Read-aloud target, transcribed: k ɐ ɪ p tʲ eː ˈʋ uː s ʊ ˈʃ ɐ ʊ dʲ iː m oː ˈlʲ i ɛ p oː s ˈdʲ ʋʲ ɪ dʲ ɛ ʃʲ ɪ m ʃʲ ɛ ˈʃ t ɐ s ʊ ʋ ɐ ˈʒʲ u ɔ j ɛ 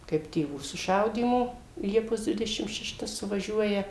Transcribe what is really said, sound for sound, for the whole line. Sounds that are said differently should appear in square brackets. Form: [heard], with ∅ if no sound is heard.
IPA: k ɐ ɪ p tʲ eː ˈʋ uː s ʊ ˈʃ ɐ ʊ dʲ iː m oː ˈlʲ i ɛ p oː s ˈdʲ ʋʲ ɪ dʲ ɛ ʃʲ ɪ m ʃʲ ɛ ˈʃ t ɐ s ʊ ʋ ɐ ˈʒʲ u ɔ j ɛ